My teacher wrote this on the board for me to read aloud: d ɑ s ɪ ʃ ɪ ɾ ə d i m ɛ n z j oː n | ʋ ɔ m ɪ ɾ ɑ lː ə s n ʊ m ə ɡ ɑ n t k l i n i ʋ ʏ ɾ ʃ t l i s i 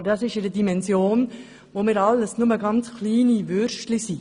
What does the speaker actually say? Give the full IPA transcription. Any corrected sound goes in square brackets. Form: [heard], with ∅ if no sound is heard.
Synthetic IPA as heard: d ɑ s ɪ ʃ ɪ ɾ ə d i m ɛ n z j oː n | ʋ [o] m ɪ ɾ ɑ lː ə s n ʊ m ə ɡ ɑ n [t͡s] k l [iː] n i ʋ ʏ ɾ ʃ t l i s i